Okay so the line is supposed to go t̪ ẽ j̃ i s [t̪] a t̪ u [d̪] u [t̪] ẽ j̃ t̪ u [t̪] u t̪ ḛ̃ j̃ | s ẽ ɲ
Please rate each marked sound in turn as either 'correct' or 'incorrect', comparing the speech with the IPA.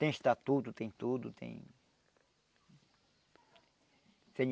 correct, incorrect: t̪, correct, incorrect: d̪

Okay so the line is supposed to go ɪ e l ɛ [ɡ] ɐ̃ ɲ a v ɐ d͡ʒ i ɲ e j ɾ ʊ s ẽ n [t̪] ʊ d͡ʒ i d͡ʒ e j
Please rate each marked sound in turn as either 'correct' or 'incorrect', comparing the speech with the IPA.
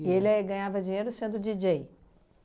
correct, incorrect: d̪

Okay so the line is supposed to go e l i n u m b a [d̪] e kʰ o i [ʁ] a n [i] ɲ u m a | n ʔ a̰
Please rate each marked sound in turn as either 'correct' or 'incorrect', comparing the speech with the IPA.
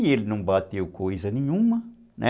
incorrect: t̪, incorrect: z, correct

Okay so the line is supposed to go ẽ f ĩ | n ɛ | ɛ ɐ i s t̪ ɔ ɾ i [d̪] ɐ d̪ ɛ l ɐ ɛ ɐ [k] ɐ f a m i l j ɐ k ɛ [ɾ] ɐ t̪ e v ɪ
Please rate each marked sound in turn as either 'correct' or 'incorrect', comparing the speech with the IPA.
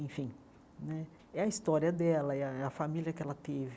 incorrect: none, incorrect: none, incorrect: l

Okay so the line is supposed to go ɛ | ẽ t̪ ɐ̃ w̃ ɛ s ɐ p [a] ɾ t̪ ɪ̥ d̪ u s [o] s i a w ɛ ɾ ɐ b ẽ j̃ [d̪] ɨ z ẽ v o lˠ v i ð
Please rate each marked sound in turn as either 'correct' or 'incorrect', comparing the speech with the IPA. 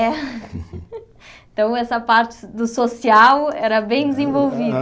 correct, correct, correct

